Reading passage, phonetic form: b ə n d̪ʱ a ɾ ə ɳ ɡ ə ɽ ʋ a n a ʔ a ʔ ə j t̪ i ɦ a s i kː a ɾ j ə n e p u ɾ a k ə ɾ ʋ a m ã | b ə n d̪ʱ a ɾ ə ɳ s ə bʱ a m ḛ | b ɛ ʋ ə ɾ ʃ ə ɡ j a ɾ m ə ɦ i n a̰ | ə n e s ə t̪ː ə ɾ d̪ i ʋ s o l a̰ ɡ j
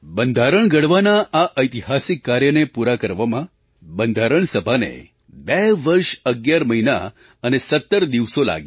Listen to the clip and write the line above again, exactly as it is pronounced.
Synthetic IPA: b ə n d̪ʱ a ɾ ə ɳ ɡ ə ɽ ʋ a n a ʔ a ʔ ə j t̪ i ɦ a s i kː a ɾ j ə n e p u ɾ a k ə ɾ ʋ a m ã | b ə n d̪ʱ a ɾ ə ɳ s ə bʱ a n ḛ | b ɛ ʋ ə ɾ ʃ ə ɡ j a ɾ m ə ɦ i n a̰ | ə n e s ə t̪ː ə ɾ d̪ i ʋ s o l a̰ ɡ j